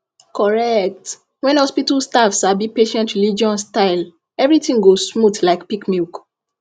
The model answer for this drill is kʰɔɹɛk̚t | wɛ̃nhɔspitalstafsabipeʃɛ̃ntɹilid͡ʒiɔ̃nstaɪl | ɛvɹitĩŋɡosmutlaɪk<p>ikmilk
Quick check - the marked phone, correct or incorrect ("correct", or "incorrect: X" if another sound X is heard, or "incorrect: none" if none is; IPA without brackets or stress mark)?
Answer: correct